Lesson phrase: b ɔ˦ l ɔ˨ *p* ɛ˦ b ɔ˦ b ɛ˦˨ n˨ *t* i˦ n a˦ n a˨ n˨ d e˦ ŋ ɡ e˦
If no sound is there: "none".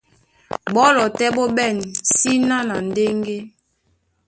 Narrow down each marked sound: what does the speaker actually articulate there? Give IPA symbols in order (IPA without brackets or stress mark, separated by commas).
t, s